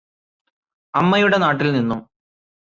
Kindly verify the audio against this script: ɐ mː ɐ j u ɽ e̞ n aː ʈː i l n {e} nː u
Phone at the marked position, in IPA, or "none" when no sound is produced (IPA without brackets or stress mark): i